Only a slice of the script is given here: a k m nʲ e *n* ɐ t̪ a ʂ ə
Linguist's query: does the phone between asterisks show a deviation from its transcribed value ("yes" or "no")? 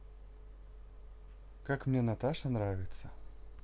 no